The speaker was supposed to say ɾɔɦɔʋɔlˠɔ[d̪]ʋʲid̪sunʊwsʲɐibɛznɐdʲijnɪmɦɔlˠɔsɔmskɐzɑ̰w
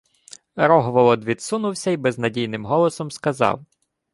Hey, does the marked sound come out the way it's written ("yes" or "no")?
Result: yes